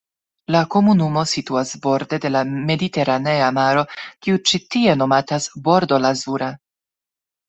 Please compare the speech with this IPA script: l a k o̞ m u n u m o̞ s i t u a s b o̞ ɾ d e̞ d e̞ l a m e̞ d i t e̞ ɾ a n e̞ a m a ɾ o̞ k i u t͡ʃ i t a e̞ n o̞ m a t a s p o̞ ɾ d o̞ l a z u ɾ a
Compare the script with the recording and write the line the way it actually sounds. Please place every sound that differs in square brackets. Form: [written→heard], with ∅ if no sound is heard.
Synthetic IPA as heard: l a k o̞ m u n u m o̞ s i t u a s b o̞ ɾ d e̞ d e̞ l a m e̞ d i t e̞ ɾ a n e̞ a m a ɾ o̞ k i u t͡ʃ i t [a→i] e̞ n o̞ m a t a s [p→b] o̞ ɾ d o̞ l a z u ɾ a